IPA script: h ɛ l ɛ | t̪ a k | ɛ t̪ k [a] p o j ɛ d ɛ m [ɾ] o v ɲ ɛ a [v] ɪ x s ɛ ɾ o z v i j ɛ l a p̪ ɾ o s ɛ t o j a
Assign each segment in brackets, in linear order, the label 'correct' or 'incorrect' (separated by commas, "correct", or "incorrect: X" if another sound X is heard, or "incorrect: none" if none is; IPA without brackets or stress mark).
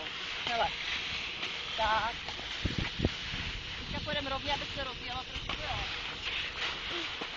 correct, correct, incorrect: b